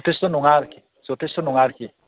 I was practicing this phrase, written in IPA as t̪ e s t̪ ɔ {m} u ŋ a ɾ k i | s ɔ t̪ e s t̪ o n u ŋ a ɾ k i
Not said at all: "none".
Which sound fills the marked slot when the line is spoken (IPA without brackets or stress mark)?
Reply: n